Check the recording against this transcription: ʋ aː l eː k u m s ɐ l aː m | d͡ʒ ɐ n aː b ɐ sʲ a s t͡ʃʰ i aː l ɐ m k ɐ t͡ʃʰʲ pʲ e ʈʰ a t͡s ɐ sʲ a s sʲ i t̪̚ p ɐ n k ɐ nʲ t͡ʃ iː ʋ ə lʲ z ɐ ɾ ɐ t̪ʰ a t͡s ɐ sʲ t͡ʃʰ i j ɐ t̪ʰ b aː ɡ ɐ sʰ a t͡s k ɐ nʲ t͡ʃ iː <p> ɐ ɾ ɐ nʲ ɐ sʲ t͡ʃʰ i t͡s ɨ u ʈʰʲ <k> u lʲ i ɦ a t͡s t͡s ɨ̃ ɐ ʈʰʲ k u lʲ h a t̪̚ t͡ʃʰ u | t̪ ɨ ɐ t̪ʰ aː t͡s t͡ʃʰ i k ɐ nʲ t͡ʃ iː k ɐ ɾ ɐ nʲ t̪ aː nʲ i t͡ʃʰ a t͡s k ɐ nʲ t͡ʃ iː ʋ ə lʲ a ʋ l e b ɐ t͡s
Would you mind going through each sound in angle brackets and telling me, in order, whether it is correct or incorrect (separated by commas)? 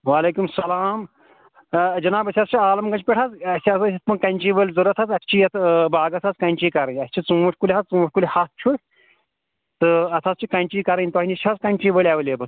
incorrect, correct